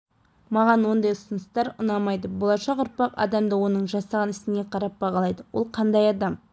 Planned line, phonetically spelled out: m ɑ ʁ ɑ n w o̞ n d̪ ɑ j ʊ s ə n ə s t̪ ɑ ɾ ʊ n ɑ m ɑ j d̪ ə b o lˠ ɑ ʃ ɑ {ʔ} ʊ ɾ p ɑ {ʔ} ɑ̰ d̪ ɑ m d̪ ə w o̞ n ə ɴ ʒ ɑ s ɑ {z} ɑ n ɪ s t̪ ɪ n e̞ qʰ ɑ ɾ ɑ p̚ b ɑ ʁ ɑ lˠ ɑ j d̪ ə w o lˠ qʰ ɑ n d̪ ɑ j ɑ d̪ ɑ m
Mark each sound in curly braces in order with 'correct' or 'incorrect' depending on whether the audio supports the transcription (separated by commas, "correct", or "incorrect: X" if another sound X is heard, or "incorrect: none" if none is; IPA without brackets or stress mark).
incorrect: q, incorrect: q, incorrect: ʁ